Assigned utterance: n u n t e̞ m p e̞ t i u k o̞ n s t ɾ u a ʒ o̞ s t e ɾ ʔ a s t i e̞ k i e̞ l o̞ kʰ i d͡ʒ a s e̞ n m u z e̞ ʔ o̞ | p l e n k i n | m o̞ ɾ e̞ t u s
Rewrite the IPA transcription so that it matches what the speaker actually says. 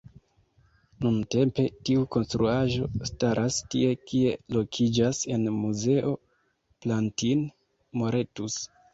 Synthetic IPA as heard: n u n t e̞ m p e̞ t i u k o̞ n s t ɾ u a ʒ o̞ s t a ɾ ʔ a s t i e̞ k i e̞ l o̞ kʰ i d͡ʒ a s e̞ n m u z e̞ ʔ o̞ | p l a n t i n | m o̞ ɾ e̞ t u s